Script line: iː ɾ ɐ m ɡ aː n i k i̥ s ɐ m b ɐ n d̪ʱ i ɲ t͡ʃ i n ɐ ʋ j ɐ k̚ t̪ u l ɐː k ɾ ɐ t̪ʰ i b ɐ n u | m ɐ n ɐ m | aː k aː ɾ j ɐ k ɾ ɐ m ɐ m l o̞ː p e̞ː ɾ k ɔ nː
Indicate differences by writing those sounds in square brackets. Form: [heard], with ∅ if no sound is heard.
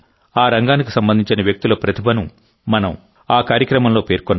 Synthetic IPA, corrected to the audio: [aː] ɾ ɐ [ŋ] ɡ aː n i k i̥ s ɐ m b ɐ n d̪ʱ i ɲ t͡ʃ i n ɐ ʋ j ɐ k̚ t̪ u l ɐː [p] ɾ ɐ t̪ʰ i b ɐ n u | m ɐ n ɐ m | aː k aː ɾ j ɐ k ɾ ɐ m ɐ m l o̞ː p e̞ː ɾ k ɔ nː